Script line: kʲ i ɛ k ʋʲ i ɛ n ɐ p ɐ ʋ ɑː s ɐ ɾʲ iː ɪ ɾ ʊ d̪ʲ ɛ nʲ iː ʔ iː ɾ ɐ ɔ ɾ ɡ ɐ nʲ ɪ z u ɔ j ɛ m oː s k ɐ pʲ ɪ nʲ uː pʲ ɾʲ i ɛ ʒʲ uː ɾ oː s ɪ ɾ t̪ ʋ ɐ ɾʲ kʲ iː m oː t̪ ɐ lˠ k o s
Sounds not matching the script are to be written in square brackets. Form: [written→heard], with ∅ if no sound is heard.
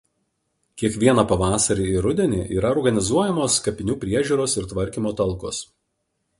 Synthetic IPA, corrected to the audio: kʲ i ɛ k ʋʲ i ɛ n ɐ p ɐ ʋ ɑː s ɐ ɾʲ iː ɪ ɾ ʊ d̪ʲ ɛ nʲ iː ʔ iː ɾ ɐ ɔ ɾ ɡ ɐ nʲ ɪ z u ɔ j ɛ m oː s k ɐ pʲ ɪ nʲ uː pʲ ɾʲ i ɛ ʒʲ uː ɾ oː s ɪ ɾ t̪ ʋ ɐ ɾʲ kʲ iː m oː t̪ ɐ lˠ k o s